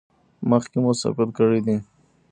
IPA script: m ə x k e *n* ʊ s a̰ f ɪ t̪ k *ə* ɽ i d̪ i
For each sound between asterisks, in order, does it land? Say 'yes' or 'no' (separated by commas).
no, yes